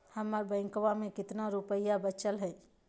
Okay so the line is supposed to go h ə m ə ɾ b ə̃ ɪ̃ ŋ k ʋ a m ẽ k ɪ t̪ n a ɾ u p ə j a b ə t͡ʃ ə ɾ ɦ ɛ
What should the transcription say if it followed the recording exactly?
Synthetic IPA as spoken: h ə m ə ɾ b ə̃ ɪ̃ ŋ k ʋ a m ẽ k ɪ t̪ n a ɾ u p ə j a b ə t͡ʃ ə l ɦ ɛ